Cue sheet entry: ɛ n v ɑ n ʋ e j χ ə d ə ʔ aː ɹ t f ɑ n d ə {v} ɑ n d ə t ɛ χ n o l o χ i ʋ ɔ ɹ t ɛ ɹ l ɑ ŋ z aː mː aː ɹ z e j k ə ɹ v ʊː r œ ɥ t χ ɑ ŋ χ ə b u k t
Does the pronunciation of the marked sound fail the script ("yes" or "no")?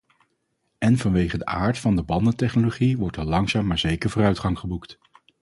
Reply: yes